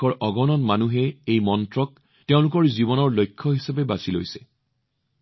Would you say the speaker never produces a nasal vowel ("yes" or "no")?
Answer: no